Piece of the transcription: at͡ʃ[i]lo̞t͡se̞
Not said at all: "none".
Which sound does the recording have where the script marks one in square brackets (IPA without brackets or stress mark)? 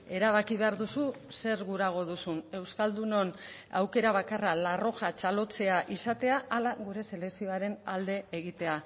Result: a